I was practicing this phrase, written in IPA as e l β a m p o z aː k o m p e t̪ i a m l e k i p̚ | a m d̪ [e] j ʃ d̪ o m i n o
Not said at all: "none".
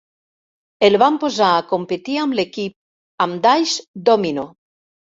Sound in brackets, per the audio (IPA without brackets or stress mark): a